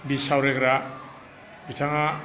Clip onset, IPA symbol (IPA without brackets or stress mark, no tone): b